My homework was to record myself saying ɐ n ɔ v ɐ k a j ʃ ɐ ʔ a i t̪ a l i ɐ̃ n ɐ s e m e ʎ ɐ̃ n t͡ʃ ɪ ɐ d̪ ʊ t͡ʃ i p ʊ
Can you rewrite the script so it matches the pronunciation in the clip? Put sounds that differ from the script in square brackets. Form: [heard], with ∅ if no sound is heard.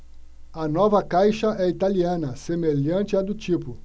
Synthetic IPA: ɐ n ɔ v ɐ k a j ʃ ɐ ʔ [ɛ] i t̪ a l i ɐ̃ n ɐ s e m e ʎ ɐ̃ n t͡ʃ ɪ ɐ d̪ ʊ t͡ʃ i p ʊ